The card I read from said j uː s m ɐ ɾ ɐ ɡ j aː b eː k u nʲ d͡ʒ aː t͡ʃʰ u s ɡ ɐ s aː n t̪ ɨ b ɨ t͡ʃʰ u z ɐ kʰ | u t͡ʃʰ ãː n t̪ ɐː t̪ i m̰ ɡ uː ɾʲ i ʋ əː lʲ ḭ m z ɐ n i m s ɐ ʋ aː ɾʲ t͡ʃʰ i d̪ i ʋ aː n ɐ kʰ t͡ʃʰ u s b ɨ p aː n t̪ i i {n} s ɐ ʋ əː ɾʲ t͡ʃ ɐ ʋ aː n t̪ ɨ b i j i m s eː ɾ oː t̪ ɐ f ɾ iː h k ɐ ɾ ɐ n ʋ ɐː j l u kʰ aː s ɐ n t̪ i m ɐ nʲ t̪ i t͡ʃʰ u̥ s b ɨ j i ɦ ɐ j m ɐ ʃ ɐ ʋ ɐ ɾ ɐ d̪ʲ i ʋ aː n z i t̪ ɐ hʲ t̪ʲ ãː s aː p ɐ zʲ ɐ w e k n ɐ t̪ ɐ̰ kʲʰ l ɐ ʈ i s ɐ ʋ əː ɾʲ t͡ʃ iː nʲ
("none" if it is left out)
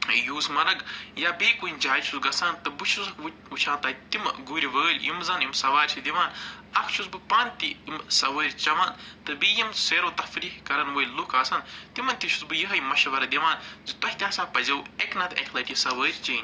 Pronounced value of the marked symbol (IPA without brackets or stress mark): m